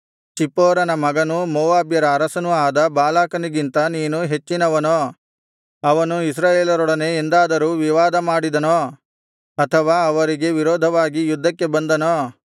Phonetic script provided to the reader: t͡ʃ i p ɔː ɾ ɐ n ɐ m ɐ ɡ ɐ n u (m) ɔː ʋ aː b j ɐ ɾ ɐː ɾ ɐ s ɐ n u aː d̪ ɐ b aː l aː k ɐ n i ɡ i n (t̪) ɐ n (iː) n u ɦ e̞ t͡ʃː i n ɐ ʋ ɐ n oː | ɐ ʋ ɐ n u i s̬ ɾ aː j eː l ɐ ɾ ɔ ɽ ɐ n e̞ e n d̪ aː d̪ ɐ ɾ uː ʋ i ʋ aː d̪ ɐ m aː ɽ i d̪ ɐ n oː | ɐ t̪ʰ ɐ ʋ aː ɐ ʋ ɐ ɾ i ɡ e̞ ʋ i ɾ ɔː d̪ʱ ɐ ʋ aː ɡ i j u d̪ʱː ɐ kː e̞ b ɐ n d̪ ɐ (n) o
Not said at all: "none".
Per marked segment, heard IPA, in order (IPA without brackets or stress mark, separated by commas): m, t̪, iː, n